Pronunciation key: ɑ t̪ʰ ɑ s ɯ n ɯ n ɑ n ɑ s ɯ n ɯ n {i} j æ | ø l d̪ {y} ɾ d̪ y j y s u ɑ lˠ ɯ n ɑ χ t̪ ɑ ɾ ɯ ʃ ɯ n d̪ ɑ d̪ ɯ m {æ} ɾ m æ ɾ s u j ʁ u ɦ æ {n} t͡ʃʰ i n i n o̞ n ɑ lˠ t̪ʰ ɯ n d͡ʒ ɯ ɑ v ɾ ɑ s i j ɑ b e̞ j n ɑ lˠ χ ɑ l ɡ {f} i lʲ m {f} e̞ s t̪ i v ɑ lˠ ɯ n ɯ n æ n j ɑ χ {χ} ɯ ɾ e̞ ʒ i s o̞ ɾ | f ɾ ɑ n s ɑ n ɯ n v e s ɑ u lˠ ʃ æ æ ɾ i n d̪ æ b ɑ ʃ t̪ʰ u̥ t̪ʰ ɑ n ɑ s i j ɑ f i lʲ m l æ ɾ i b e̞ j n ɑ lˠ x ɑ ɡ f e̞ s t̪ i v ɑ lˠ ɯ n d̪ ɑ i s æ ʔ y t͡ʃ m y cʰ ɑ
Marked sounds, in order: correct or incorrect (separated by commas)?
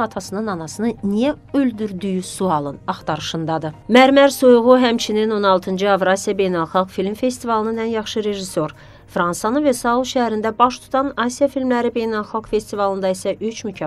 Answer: correct, correct, correct, incorrect, correct, correct, incorrect